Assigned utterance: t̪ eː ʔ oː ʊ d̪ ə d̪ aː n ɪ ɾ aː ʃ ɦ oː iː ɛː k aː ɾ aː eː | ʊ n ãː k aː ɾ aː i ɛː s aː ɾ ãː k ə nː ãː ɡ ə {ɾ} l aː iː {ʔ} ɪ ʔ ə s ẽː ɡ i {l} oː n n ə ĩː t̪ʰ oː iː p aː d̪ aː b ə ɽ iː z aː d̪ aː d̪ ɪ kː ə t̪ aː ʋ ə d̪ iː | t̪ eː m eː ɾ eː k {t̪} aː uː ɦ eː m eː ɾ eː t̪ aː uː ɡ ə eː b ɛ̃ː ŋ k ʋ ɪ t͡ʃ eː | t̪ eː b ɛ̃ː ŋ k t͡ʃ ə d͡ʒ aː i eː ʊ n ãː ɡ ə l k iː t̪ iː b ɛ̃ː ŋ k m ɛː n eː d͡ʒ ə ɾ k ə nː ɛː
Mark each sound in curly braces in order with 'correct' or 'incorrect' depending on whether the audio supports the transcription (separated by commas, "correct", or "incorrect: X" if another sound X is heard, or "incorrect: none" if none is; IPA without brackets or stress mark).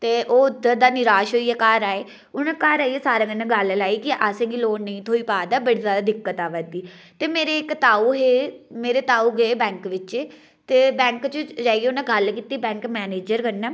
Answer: incorrect: l, incorrect: k, correct, correct